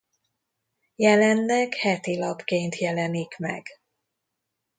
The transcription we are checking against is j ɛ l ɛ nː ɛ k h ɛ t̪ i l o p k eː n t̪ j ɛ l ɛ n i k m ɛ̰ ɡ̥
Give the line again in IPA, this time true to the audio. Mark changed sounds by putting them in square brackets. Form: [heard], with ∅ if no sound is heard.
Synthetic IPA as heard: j ɛ l ɛ nː ɛ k h ɛ t̪ i l [ɒ] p k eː n t̪ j ɛ l ɛ n i k m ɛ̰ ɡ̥